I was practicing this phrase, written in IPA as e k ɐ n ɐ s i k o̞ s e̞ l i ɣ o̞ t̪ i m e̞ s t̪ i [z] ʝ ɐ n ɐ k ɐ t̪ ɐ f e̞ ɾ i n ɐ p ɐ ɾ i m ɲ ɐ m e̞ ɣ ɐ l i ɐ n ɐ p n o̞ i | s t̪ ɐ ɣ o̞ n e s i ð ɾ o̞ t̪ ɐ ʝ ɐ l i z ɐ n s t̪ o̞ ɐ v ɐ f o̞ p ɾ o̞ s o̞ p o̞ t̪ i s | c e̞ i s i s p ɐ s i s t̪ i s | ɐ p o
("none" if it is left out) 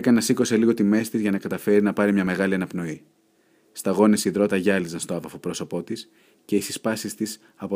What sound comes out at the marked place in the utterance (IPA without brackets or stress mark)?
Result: z